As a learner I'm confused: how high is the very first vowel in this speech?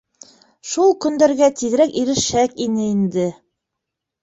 high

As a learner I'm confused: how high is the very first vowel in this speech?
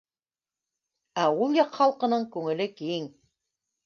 low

